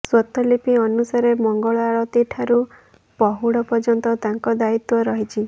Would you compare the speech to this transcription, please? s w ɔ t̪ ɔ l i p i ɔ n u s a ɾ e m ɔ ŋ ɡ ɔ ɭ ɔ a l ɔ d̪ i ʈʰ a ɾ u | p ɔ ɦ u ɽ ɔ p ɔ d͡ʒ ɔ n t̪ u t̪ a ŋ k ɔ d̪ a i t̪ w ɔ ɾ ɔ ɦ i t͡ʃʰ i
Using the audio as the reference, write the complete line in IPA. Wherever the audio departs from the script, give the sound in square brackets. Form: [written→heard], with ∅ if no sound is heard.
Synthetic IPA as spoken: s w ɔ t̪ ɔ l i p i ɔ n u s a ɾ e m ɔ ŋ ɡ ɔ ɭ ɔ a [l→ɭ] ɔ [d̪→t̪] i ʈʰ a ɾ u | p ɔ ɦ u ɽ ɔ p ɔ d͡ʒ ɔ n t̪ [u→ɔ] t̪ a ŋ k ɔ d̪ a i t̪ w ɔ ɾ ɔ ɦ i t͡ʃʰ i